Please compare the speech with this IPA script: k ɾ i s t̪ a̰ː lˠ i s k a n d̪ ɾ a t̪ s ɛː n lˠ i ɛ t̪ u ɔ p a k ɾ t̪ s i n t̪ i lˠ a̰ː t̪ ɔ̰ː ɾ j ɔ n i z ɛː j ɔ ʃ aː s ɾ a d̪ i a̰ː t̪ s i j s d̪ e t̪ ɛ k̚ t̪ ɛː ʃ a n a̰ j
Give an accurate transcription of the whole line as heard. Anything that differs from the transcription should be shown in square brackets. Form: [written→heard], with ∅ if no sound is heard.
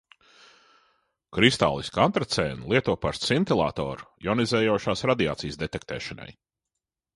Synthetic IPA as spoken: k ɾ i s t̪ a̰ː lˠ i s k a n [d̪→t̪] ɾ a t̪ s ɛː n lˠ i ɛ t̪ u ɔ p a [k→∅] ɾ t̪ s i n t̪ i lˠ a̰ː t̪ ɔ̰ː ɾ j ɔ n i z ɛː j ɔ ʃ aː s ɾ a d̪ i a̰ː t̪ s i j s d̪ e t̪ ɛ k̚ t̪ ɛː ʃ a n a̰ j